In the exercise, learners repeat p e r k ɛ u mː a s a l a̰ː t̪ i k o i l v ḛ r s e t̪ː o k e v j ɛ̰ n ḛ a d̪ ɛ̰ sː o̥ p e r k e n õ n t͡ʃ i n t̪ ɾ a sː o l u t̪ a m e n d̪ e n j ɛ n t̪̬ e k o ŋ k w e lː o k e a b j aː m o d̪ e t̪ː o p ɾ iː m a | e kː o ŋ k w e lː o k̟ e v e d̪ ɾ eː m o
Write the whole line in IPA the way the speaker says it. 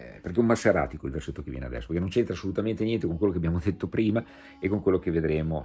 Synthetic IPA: p e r k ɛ u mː a s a ɾ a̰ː t̪ i k o i l v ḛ r s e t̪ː o k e v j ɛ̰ n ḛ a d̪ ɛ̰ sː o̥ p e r k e n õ n t͡ʃ e n t̪ ɾ a sː o l u t̪ a m e n t̪ e n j ɛ n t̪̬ e k o ŋ k w e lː o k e a b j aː m o d̪ e t̪ː o p ɾ iː m a | e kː o ŋ k w e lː o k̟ e v e d̪ ɾ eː m o